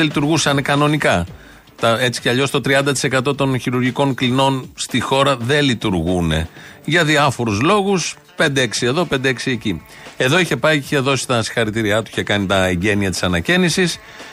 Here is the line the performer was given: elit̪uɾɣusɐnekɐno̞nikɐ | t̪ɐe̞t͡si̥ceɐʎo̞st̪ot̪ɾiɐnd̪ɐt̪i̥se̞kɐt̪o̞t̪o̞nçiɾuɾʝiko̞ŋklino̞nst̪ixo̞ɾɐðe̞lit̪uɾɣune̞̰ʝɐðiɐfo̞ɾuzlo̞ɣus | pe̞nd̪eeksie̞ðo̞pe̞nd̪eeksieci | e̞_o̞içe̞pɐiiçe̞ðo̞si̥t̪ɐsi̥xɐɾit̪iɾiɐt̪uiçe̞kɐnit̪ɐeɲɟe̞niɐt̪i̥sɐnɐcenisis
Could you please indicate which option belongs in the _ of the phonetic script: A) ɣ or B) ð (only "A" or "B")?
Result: B